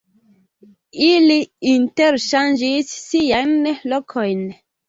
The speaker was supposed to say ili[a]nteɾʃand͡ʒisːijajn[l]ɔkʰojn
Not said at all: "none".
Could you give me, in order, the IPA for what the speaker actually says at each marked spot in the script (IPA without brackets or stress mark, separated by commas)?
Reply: i, l